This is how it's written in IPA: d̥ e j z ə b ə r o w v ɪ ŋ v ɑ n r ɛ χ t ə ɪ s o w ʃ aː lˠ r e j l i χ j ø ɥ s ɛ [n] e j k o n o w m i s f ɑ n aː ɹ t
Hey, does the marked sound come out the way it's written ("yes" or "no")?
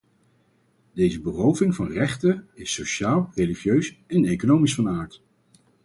yes